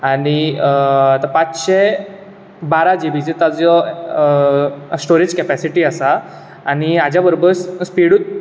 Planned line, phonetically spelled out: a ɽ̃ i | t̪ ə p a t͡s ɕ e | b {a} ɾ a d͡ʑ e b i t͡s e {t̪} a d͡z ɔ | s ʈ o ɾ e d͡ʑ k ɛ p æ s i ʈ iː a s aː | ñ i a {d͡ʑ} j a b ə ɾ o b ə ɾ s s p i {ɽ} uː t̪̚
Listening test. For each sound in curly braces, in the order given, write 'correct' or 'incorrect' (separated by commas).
correct, correct, correct, correct